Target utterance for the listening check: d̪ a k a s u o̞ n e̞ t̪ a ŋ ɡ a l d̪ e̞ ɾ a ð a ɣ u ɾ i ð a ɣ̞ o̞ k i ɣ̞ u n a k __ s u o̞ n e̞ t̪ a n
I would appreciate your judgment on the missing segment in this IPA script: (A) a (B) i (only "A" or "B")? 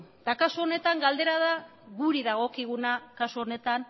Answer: A